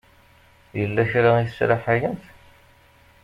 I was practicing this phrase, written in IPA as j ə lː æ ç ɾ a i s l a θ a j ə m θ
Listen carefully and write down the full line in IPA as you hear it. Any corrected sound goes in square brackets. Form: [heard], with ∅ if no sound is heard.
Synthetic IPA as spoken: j ə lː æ ç ɾ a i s [ɾ] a [ħ] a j ə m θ